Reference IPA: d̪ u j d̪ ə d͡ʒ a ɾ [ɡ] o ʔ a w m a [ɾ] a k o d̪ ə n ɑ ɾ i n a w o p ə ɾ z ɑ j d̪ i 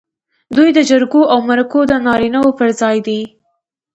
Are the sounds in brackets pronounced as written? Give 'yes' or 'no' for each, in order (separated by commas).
yes, yes